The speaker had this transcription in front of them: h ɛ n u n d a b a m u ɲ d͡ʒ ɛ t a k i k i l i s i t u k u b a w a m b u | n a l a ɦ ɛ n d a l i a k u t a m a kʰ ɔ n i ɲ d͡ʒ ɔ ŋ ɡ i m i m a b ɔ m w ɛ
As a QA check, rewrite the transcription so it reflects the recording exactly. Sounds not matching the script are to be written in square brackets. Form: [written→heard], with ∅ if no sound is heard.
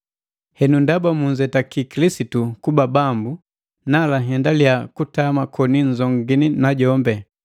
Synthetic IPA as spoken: h ɛ n u n d a b a m u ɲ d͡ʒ ɛ t a k i k i l i s i t u k u b a [w→b] a m b u | n a l a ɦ ɛ n d a l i a k u t a m a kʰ ɔ n i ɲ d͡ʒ ɔ ŋ ɡ i [m→n] i [m→n] a [b→ɟ] ɔ m [w→b] ɛ